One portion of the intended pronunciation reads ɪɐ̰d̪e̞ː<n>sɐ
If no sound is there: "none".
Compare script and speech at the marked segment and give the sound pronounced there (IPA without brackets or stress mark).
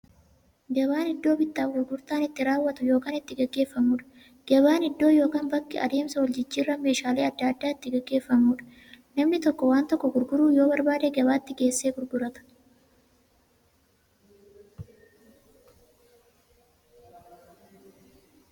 m